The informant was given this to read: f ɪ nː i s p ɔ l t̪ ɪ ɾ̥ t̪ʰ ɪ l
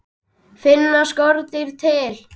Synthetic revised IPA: f ɪ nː a s k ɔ ɾ t̪ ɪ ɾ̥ t̪ʰ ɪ l